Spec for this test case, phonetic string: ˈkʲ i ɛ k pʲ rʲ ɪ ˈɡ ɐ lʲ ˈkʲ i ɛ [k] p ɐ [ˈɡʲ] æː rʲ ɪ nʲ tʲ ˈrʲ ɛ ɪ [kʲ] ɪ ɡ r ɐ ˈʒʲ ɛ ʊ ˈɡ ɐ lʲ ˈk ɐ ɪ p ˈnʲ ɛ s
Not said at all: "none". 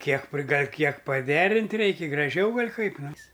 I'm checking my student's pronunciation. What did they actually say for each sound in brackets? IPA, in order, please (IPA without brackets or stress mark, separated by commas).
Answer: k, dʲ, kʲ